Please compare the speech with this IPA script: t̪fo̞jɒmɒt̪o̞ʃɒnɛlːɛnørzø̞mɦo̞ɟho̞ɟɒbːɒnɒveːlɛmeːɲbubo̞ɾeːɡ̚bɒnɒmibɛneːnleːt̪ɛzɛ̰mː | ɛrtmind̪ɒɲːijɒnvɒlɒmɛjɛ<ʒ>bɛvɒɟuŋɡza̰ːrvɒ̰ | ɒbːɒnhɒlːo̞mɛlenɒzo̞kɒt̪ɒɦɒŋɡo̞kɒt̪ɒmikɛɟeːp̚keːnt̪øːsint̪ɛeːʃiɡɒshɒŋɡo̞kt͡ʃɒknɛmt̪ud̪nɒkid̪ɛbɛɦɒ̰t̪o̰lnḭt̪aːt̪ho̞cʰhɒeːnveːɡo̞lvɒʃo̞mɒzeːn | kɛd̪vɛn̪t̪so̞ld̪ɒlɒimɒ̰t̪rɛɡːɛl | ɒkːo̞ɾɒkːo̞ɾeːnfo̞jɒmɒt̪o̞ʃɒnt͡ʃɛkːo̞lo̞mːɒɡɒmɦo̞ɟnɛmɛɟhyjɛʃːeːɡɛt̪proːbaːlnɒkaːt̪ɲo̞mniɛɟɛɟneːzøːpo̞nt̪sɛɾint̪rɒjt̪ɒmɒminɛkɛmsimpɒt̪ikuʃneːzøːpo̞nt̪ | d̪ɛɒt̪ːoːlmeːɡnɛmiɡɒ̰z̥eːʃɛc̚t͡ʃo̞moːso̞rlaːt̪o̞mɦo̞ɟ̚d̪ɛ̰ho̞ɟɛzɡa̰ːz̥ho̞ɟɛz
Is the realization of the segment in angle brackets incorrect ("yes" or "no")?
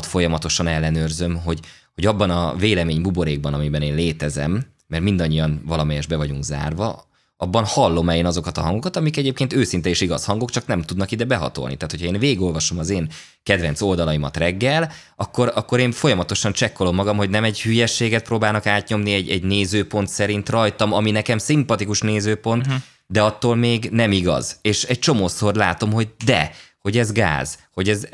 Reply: no